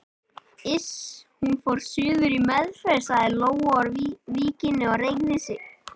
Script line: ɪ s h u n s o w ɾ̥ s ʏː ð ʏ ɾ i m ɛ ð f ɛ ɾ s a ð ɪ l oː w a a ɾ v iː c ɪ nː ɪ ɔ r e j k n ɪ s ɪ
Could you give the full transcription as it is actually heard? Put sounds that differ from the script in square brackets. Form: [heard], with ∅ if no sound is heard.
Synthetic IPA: ɪ s h u n [f] o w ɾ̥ s ʏː ð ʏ ɾ i m ɛ ð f ɛ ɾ s a ð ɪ l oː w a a ɾ v iː c ɪ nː ɪ ɔ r e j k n ɪ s ɪ